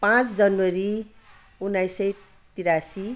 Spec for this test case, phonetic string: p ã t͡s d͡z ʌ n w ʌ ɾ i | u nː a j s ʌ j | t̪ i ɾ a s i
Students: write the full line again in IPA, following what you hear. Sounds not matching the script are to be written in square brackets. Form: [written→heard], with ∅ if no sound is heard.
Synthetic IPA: p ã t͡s d͡z ʌ n w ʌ ɾ i | u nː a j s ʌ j | t̪ i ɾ a s i